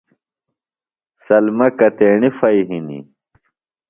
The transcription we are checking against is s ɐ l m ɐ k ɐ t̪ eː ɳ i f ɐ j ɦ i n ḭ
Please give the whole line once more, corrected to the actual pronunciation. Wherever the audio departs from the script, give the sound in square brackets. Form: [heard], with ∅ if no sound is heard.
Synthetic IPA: s ɐ l m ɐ k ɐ t̪ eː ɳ i f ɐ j ɦ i n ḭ